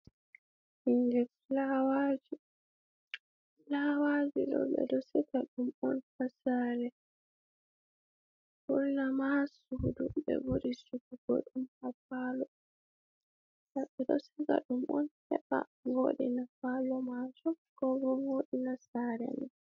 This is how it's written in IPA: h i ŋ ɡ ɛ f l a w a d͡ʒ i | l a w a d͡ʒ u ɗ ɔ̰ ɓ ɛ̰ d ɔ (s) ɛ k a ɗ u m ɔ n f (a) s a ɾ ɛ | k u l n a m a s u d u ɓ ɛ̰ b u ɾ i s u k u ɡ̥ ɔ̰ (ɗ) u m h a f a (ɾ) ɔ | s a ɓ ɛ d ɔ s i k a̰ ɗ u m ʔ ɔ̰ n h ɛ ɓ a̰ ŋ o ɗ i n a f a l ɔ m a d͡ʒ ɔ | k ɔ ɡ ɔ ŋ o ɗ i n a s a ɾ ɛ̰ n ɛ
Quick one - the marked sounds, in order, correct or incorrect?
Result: correct, correct, correct, incorrect

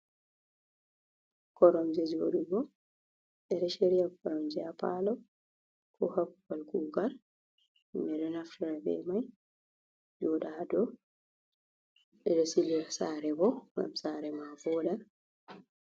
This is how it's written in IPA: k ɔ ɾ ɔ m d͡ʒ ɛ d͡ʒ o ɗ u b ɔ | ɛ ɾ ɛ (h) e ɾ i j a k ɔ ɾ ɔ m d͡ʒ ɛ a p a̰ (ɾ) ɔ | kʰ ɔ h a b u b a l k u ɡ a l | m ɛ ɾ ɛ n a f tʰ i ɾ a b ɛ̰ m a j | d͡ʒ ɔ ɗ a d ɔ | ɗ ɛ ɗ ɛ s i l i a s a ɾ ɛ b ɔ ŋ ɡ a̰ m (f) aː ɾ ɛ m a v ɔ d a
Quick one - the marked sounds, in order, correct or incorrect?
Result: incorrect, incorrect, incorrect

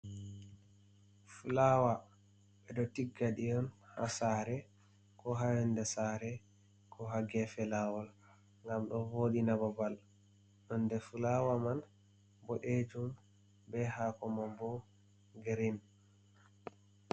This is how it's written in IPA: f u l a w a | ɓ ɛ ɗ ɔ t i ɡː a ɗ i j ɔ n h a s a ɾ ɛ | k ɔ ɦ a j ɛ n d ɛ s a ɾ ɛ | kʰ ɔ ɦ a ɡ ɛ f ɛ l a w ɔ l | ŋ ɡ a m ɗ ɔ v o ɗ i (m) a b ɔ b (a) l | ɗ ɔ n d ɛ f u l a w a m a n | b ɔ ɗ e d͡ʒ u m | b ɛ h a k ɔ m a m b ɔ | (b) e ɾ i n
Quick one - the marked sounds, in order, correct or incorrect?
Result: incorrect, correct, incorrect

